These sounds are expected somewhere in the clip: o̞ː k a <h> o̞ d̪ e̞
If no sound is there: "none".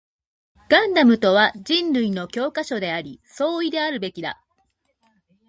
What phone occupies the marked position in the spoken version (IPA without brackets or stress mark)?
ɕ